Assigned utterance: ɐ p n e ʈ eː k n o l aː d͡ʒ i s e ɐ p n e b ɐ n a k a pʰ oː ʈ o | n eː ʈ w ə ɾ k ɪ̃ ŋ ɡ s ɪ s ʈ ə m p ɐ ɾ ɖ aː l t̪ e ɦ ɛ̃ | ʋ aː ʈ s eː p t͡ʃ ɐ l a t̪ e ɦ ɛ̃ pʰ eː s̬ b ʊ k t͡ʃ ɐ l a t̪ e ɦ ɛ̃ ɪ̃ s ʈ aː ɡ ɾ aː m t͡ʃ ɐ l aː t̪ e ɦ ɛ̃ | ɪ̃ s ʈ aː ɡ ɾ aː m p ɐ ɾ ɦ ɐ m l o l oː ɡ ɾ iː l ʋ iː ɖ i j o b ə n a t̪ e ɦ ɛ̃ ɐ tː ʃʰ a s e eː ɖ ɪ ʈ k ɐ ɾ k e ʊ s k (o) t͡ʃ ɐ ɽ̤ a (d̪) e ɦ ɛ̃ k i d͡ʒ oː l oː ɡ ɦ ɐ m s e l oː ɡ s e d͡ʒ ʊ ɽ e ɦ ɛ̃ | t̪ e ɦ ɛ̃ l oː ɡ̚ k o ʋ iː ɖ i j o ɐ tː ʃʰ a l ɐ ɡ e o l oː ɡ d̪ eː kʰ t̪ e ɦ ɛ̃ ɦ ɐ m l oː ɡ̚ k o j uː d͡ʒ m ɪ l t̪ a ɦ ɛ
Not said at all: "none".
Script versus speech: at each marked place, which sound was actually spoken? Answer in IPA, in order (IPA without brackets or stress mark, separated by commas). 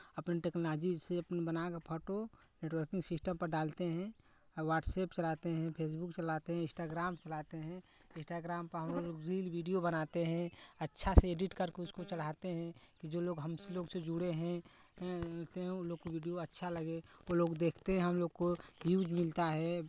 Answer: o, t̪